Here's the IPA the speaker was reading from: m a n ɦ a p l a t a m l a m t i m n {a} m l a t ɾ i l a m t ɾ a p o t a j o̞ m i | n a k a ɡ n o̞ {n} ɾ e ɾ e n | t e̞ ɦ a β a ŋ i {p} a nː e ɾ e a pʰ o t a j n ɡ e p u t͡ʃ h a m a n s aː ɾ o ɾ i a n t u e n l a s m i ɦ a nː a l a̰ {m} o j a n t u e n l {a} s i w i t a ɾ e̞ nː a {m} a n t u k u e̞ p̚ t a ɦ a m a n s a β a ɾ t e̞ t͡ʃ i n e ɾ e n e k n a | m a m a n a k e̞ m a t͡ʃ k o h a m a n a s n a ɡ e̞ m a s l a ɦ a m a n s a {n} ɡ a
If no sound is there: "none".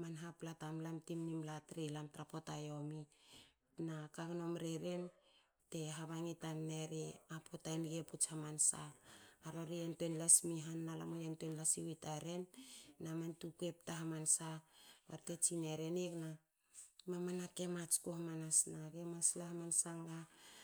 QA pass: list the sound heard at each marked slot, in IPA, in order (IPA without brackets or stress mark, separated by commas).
i, m, t, m, a, m, ŋ